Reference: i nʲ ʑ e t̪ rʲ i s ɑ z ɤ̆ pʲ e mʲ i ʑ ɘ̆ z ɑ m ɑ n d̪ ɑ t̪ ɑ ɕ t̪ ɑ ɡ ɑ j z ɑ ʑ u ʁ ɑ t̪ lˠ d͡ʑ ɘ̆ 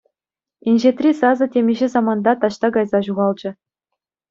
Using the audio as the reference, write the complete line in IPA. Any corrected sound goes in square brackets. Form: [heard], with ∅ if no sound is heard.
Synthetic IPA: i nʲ ʑ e t̪ rʲ i s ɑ z ɤ̆ [tʲ] e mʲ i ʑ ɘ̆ z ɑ m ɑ n d̪ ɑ t̪ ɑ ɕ t̪ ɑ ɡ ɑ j z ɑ ʑ u ʁ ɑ [∅] lˠ d͡ʑ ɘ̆